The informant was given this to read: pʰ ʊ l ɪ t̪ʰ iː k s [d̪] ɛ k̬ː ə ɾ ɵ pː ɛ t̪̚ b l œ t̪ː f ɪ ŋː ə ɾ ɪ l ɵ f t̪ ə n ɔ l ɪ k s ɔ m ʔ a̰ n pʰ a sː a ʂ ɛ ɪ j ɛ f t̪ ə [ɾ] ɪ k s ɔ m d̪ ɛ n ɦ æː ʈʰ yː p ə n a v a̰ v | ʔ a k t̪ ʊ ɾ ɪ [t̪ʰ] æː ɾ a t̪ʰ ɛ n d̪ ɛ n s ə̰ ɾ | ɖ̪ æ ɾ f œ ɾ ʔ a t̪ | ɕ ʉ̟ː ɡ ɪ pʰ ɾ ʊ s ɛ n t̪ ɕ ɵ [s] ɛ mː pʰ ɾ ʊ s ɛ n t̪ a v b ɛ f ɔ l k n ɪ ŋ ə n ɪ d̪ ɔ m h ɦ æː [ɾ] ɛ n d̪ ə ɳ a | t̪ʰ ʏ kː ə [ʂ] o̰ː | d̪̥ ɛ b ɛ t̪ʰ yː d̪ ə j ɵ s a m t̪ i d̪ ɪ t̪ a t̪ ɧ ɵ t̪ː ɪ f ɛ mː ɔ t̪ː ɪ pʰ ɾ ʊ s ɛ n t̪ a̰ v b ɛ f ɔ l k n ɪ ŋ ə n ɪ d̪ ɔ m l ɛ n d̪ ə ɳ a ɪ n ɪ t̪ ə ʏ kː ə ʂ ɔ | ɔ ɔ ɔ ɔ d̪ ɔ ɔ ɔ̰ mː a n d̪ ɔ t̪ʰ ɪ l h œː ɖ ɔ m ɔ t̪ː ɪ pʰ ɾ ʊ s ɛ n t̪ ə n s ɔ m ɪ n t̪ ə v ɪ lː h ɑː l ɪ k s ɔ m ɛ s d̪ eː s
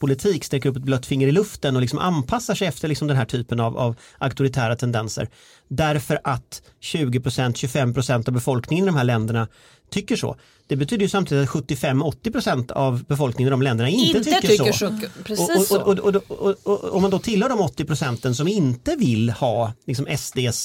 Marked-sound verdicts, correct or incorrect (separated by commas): incorrect, incorrect, correct, incorrect, incorrect, correct